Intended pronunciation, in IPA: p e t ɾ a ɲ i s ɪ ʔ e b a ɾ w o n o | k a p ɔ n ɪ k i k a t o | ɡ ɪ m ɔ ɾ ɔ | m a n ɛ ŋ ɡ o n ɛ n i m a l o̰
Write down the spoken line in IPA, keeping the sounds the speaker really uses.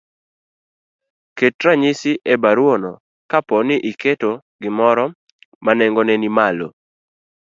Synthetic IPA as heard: k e t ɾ a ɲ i s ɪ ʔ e b a ɾ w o n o | k a p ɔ n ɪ ʔ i k e t o | ɡ ɪ m ɔ ɾ ɔ | m a n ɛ ŋ ɡ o n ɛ n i m a l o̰